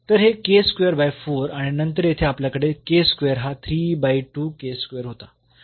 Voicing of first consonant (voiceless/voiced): voiceless